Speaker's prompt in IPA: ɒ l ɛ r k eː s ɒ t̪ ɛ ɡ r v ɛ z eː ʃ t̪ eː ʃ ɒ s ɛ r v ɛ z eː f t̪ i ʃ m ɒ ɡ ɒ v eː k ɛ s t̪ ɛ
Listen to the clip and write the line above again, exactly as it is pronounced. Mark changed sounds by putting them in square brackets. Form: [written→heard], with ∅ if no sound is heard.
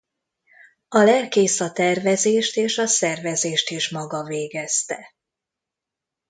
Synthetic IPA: ɒ l ɛ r k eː s ɒ t̪ ɛ [ɡ→∅] r v ɛ z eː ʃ t̪ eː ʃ ɒ s ɛ r v ɛ z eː [f→ʃ] t̪ i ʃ m ɒ ɡ ɒ v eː [k→ɡ] ɛ s t̪ ɛ